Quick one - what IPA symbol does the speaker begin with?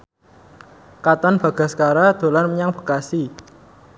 k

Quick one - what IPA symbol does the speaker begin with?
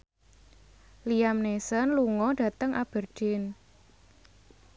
l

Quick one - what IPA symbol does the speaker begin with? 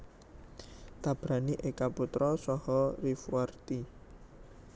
t̪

